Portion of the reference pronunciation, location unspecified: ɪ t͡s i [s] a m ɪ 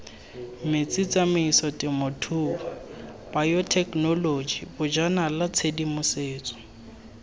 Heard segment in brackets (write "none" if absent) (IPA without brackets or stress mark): t͡s